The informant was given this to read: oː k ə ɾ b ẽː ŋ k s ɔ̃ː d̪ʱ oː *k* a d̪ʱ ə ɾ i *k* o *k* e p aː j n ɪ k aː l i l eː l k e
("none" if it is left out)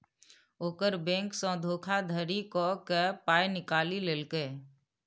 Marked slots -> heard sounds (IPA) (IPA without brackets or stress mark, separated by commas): kʰ, k, k